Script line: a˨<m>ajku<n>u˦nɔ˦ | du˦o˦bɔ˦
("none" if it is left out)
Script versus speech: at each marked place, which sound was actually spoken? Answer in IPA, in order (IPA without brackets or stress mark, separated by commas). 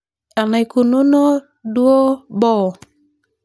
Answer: n, n